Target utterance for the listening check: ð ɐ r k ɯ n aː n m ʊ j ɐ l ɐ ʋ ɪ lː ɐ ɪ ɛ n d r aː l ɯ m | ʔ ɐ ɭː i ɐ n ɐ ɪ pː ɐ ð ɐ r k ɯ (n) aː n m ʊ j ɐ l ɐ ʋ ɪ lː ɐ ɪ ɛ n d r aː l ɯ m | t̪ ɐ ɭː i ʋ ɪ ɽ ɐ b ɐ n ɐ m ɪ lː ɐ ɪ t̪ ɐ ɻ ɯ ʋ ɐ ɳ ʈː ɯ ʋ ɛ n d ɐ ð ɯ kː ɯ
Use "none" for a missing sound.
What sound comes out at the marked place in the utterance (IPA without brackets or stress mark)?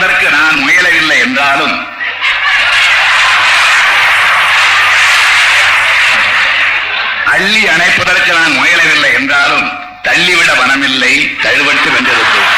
n